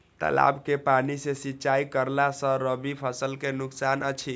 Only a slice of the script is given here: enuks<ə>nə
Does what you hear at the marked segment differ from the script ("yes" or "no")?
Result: yes